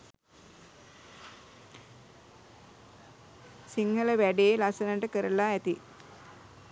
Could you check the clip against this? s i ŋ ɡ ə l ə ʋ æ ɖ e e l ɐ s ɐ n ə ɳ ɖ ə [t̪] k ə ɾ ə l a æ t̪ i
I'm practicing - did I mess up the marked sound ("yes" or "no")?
yes